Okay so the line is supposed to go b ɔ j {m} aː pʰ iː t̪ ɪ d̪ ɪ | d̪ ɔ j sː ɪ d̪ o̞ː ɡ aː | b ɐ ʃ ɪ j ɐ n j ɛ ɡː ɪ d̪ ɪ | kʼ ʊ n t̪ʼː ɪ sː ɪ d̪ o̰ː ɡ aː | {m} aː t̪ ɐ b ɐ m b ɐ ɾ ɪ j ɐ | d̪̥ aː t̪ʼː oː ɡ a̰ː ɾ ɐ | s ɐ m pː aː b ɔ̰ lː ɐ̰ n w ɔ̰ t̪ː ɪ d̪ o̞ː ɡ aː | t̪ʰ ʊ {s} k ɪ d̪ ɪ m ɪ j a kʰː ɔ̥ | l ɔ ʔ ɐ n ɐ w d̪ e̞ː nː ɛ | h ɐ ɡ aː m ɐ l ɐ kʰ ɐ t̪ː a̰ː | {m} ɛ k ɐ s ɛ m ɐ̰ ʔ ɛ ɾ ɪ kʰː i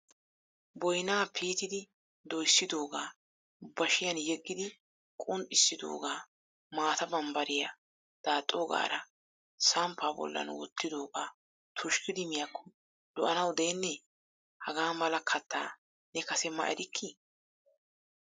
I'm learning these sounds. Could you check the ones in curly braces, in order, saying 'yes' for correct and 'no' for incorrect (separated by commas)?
no, yes, no, no